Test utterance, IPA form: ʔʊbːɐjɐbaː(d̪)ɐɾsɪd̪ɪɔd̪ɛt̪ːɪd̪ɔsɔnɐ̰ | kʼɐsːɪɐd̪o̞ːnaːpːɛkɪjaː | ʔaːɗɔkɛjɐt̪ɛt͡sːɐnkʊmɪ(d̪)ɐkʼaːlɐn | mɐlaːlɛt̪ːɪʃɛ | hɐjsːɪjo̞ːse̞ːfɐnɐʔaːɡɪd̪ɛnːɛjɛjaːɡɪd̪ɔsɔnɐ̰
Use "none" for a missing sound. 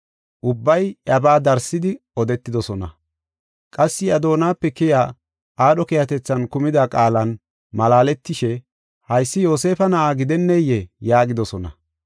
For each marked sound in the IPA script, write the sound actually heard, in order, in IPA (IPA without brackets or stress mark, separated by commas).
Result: d̪, d̪